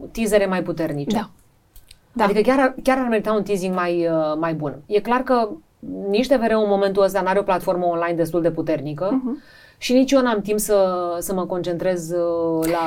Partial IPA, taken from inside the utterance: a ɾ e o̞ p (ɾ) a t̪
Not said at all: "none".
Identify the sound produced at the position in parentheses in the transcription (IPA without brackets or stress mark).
l